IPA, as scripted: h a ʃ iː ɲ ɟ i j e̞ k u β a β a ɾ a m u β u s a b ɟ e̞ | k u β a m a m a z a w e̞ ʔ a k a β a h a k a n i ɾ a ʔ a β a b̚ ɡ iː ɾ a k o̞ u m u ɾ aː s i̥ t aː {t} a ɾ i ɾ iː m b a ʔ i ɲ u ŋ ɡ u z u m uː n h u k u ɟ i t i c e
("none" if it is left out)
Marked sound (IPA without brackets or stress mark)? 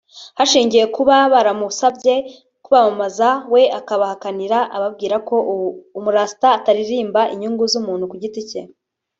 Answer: t